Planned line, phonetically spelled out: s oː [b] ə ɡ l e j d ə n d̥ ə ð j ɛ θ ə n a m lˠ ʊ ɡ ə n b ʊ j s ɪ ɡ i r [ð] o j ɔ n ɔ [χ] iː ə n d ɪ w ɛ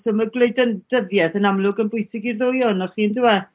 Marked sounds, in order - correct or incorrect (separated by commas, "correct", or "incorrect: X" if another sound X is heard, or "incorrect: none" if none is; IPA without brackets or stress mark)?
incorrect: m, correct, correct